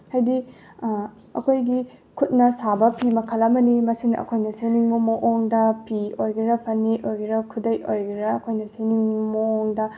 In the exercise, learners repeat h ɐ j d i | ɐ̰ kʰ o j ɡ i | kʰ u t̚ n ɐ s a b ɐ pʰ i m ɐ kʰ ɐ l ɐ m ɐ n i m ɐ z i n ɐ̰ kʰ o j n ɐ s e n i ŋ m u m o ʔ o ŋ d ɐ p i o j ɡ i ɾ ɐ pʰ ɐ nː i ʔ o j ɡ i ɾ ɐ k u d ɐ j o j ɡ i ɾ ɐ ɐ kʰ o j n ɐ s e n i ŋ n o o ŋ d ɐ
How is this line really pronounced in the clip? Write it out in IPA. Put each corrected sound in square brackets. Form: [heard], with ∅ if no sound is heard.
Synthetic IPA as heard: h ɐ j d i | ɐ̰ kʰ o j ɡ i | kʰ u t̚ n ɐ s a b ɐ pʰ i m ɐ kʰ ɐ l ɐ m ɐ n i m ɐ [s] i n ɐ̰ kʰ o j n ɐ s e n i ŋ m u m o ʔ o ŋ d ɐ p i o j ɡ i ɾ ɐ pʰ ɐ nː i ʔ o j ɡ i ɾ ɐ [kʰ] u d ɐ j o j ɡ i ɾ ɐ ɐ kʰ o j n ɐ s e n i ŋ [m] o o ŋ d ɐ